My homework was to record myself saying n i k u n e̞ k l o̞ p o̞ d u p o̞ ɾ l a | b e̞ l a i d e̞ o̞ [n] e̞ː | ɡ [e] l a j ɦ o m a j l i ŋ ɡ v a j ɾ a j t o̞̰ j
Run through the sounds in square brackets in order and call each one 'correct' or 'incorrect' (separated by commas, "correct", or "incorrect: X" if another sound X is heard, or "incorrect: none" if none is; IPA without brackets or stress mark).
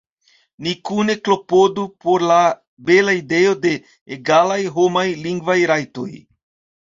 incorrect: d, incorrect: a